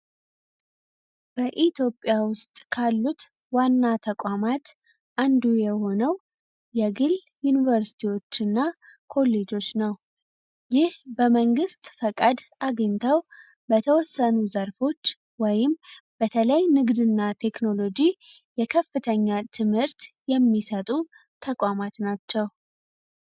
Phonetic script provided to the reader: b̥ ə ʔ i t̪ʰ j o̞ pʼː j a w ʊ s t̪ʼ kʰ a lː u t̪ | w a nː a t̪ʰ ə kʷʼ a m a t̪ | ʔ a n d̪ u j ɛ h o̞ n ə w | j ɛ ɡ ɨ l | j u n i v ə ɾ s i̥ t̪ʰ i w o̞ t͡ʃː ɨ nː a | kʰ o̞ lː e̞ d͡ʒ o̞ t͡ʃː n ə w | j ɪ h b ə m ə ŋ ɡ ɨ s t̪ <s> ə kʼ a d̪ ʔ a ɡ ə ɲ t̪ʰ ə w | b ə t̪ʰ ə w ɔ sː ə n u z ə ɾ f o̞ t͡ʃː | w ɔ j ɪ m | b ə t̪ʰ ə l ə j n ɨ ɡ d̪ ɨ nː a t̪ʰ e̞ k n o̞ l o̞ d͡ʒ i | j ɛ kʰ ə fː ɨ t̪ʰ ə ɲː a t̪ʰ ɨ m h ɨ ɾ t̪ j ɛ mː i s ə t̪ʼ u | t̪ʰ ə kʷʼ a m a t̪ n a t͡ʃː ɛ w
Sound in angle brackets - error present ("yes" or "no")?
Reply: yes